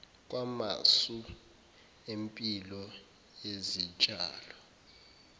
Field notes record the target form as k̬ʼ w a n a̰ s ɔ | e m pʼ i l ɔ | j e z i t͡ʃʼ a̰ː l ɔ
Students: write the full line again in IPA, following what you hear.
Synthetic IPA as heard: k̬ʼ w a m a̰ s u | e m pʼ i l ɔ | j e z i t͡ʃʼ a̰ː l ɔ